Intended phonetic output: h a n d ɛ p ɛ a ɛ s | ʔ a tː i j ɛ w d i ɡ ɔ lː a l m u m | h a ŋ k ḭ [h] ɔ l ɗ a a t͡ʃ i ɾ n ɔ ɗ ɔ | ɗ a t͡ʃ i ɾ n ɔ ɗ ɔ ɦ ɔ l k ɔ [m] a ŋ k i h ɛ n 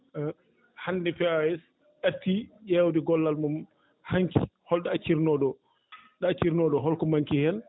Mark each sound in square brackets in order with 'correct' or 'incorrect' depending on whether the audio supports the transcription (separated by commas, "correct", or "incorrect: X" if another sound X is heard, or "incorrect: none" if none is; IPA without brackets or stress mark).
correct, correct